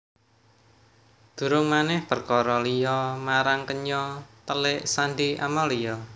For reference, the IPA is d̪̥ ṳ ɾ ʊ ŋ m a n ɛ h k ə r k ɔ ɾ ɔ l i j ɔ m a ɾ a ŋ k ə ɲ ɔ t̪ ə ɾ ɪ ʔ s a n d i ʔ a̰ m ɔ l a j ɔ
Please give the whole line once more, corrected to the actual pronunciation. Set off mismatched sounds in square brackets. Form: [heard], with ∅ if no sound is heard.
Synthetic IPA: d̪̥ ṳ ɾ ʊ ŋ m a n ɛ h [p] ə r k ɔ ɾ ɔ l i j ɔ m a ɾ a ŋ k ə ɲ ɔ t̪ ə [l] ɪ ʔ s a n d i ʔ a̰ m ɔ l [i] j ɔ